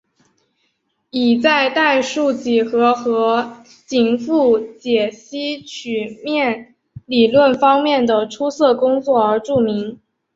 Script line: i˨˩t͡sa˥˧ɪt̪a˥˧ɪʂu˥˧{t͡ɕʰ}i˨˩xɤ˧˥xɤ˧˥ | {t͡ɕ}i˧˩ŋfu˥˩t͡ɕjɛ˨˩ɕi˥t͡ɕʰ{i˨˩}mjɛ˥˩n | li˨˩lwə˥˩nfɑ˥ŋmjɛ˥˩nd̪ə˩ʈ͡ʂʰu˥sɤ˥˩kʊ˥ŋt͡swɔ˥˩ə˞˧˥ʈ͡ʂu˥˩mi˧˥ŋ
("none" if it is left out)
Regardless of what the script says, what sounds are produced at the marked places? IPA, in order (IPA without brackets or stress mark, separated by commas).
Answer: t͡ɕ, t͡ɕ, y˨˩